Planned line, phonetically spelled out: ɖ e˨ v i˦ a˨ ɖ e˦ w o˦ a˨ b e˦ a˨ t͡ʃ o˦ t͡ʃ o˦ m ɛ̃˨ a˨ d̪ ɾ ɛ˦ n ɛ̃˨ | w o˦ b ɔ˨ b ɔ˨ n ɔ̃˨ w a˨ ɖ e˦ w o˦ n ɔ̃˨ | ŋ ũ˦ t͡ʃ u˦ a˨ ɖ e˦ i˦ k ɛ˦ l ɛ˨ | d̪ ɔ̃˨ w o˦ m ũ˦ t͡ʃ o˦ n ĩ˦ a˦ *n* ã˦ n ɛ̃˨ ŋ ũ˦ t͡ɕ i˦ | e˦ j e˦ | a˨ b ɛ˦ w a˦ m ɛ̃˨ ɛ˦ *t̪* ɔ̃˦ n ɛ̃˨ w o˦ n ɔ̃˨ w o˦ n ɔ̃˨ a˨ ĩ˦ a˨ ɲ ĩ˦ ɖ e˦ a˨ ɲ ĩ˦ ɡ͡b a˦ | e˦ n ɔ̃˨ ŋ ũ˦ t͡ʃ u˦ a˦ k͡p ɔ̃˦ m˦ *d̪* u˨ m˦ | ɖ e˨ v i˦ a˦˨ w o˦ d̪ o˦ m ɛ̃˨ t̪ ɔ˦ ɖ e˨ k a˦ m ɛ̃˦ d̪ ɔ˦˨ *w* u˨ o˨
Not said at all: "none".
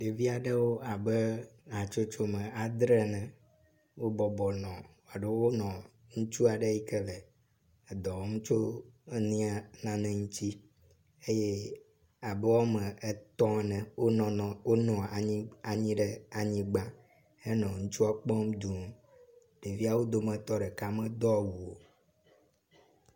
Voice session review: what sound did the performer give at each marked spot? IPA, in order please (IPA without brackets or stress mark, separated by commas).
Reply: n, t̪, d̪, w